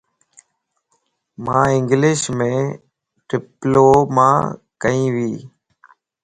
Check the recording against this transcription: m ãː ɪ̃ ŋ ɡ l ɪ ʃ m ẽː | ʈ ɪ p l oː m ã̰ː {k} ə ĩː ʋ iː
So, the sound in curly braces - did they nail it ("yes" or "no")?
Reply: yes